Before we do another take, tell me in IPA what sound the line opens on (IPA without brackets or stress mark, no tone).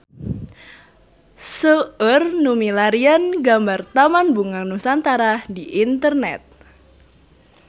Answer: s